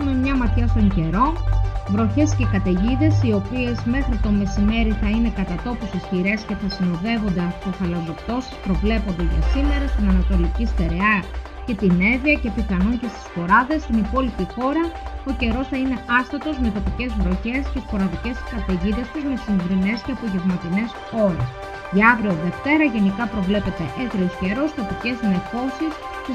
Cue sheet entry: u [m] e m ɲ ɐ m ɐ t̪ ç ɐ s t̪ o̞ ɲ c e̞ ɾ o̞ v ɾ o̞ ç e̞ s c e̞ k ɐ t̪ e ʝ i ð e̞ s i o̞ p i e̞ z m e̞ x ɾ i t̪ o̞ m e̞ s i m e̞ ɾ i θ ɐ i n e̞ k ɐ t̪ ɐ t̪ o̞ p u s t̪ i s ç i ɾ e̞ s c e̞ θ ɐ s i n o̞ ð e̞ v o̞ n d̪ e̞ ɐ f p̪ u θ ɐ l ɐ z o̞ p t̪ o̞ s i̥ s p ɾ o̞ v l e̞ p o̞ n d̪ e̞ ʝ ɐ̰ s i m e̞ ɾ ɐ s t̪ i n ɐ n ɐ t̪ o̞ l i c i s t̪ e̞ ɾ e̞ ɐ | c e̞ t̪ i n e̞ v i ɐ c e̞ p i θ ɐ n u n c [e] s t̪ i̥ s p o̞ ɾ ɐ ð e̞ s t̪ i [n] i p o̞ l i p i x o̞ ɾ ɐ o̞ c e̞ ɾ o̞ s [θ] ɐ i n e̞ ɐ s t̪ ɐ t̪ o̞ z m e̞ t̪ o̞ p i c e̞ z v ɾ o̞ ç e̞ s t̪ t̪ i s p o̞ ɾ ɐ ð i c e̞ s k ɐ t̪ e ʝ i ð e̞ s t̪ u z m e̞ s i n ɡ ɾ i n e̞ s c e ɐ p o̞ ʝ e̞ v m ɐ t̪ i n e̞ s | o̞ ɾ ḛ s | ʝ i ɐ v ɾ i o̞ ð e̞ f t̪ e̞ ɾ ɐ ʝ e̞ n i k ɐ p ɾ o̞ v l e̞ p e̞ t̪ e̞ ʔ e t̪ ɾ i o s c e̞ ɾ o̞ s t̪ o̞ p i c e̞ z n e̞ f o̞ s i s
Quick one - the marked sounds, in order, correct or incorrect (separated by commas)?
correct, correct, correct, correct